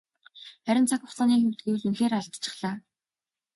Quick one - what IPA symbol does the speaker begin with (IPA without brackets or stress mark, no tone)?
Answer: χ